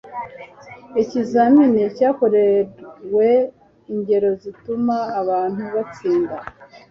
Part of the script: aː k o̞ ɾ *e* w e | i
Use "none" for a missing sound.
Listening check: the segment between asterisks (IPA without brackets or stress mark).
e